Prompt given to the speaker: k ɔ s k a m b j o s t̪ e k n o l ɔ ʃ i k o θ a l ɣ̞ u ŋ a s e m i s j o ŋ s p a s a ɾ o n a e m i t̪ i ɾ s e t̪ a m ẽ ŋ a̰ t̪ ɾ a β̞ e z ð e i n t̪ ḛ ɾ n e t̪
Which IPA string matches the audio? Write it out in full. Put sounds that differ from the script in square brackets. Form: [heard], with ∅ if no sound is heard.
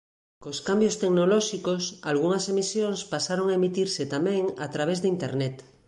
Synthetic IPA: k [o] s k a m b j o s t̪ e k n o l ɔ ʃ i k o [s] a l ɣ̞ u ŋ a s e m i s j o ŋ s p a s a ɾ o [ŋ] a e m i t̪ i ɾ s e t̪ a m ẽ ŋ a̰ t̪ ɾ a β̞ e z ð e i n t̪ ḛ ɾ n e t̪